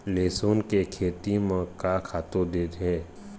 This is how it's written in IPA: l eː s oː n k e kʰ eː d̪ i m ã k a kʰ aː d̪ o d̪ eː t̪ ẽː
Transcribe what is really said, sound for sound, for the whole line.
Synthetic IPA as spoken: l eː s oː n k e kʰ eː t̪ i m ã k a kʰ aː t̪ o d̪ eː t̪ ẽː